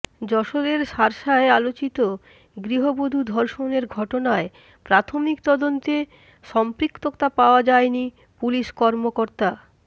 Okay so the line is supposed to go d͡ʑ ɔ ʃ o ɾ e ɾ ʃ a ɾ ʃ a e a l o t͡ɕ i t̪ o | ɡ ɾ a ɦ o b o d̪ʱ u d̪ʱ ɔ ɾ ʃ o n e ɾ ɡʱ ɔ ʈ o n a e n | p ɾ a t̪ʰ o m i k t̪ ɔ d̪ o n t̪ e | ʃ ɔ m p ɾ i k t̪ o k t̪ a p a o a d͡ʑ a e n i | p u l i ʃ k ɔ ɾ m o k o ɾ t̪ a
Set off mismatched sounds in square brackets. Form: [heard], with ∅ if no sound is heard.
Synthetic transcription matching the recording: d͡ʑ ɔ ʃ o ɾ e ɾ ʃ a ɾ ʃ a e a l o t͡ɕ i t̪ o | ɡ ɾ [i] ɦ o b o d̪ʱ u d̪ʱ ɔ ɾ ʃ o n e ɾ ɡʱ ɔ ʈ o n a e [∅] | p ɾ a t̪ʰ o m i k t̪ ɔ d̪ o n t̪ e | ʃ ɔ m p ɾ i k t̪ o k t̪ a p a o a d͡ʑ a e n i | p u l i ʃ k ɔ ɾ m o k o ɾ t̪ a

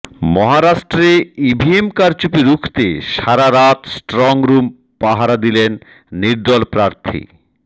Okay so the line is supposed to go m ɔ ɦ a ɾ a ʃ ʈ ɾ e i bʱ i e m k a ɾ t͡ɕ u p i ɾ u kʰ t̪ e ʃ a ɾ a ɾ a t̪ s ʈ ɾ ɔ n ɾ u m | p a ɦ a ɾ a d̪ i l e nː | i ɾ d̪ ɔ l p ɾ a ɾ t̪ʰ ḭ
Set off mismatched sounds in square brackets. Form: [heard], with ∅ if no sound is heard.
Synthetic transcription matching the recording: m ɔ ɦ a ɾ a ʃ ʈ ɾ e i bʱ i e m k a ɾ t͡ɕ u p i ɾ u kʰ t̪ e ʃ a ɾ a ɾ a t̪ s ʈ ɾ ɔ [ŋ] ɾ u m | p a ɦ a ɾ a d̪ i l e nː | i ɾ d̪ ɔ l p ɾ a ɾ t̪ʰ ḭ

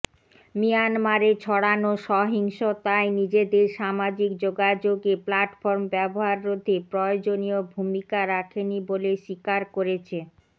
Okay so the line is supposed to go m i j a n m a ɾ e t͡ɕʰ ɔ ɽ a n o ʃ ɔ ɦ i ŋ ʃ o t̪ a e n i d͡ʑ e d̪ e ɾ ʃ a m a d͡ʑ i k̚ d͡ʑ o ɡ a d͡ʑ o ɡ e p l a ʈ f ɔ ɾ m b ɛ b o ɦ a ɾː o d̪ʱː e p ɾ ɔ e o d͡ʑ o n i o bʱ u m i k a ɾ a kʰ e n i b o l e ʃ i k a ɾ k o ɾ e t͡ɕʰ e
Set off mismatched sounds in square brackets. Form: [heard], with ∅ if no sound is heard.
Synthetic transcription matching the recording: m i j a n m a ɾ e t͡ɕʰ ɔ ɽ a n o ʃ ɔ ɦ i ŋ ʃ o t̪ a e n i d͡ʑ e d̪ e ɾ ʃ a m a d͡ʑ i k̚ d͡ʑ o ɡ a d͡ʑ o ɡ e p l a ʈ f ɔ ɾ m b ɛ b o ɦ a ɾː o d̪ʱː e p ɾ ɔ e o d͡ʑ o n i o bʱ u m i k a ɾ a kʰ e n i b o l e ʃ i k a ɾ k o ɾ e t͡ɕʰ e

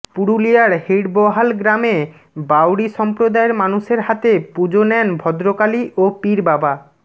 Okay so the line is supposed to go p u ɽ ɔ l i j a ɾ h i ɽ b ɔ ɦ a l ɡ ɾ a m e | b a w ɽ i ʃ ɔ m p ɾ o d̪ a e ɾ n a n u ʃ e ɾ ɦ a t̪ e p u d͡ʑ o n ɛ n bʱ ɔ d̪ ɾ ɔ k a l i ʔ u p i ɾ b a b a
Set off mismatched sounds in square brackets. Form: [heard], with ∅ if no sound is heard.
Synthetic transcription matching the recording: p u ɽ [u] l i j a ɾ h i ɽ b ɔ ɦ a l ɡ ɾ a m e | b a w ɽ i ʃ ɔ m p ɾ o d̪ a e ɾ [m] a n u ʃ e ɾ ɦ a t̪ e p u d͡ʑ o n ɛ n bʱ ɔ d̪ ɾ [o] k a l i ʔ [o] p i ɾ b a b a

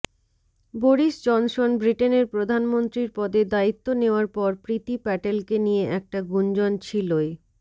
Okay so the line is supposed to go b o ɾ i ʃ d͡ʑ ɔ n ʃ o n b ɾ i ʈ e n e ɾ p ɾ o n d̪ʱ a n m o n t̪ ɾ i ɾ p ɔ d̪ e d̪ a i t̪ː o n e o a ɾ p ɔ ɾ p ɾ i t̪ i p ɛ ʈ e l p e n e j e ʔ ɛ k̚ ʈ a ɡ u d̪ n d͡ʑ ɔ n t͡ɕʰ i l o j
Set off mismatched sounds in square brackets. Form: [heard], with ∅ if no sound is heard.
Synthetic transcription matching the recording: b o ɾ i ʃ d͡ʑ ɔ n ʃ o n b ɾ i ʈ e n e ɾ p ɾ o [∅] d̪ʱ a n m o n t̪ ɾ i ɾ p ɔ d̪ e d̪ a i t̪ː o n e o a ɾ p ɔ ɾ p ɾ i t̪ i p ɛ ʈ e l [k] e n [i] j e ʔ ɛ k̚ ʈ a ɡ u [∅] n d͡ʑ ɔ n t͡ɕʰ i l o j

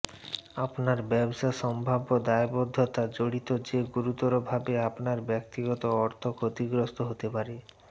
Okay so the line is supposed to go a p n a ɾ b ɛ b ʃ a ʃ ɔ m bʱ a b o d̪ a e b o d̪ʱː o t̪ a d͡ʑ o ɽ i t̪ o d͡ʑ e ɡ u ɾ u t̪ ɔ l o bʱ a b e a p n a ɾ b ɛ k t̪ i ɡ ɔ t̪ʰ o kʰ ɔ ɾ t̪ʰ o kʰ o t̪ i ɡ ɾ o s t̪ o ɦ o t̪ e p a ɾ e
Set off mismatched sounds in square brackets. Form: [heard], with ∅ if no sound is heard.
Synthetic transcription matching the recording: a p n a ɾ b ɛ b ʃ a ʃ ɔ m bʱ a b o d̪ a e b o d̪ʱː o t̪ a d͡ʑ o ɽ i t̪ o d͡ʑ e ɡ u ɾ u t̪ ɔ [ɾ] o bʱ a b e a p n a ɾ b ɛ k t̪ i ɡ ɔ [t̪] o [∅] ɔ ɾ t̪ʰ o kʰ o t̪ i ɡ ɾ o s t̪ o ɦ o t̪ e p a ɾ e

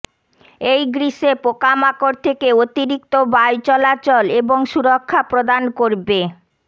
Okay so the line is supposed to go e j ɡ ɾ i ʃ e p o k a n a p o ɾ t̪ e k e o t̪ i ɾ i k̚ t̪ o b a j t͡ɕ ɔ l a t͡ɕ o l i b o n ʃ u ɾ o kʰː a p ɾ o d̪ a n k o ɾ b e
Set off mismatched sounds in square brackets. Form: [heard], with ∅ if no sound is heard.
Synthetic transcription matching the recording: e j ɡ ɾ i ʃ e p o k a [m] a [k] o ɾ [t̪ʰ] e k e o t̪ i ɾ i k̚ t̪ o b a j t͡ɕ ɔ l a t͡ɕ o l [e] b o [ŋ] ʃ u ɾ o kʰː a p ɾ o d̪ a n k o ɾ b e

